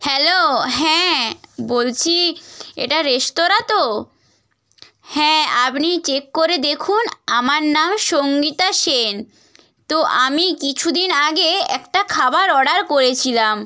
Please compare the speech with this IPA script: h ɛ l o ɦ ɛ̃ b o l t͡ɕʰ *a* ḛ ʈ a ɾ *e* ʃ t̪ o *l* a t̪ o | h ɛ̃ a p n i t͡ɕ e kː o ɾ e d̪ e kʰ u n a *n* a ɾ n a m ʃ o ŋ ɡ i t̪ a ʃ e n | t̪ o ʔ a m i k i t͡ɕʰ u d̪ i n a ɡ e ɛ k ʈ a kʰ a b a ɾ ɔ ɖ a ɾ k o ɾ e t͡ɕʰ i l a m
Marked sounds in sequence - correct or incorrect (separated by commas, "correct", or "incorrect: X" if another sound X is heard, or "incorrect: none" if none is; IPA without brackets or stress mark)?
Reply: incorrect: i, correct, incorrect: ɾ, incorrect: m